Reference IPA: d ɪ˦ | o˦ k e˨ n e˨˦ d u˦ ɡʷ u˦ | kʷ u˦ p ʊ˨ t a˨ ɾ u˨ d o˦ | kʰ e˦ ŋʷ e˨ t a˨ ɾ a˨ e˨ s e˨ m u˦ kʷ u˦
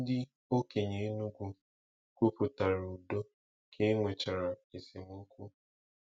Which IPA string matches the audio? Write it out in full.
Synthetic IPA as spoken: d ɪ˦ | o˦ k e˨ ɲ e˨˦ n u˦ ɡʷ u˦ | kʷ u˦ p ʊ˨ t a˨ ɾ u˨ d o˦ | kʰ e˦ ŋʷ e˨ t͡ʃ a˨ ɾ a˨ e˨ s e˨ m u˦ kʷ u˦